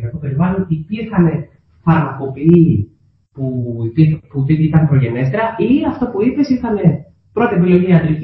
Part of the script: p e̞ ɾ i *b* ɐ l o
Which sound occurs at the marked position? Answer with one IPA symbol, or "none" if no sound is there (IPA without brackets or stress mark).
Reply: v